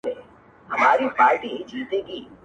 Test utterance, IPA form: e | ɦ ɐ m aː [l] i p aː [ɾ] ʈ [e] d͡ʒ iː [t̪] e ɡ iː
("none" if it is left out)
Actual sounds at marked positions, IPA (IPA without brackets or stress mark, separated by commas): ɾ, ɾ, i, t̪